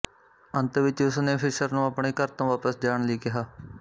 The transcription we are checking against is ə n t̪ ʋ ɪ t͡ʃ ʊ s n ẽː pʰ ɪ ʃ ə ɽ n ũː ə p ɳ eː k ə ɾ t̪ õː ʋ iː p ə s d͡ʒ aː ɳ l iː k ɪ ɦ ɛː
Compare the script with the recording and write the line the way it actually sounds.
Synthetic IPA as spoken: ə n t̪ ʋ ɪ t͡ʃ ʊ s n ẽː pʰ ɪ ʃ ə ɾ n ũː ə p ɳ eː k ə ɾ t̪ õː ʋ aː p ə s d͡ʒ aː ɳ l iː k ɪ ɦ aː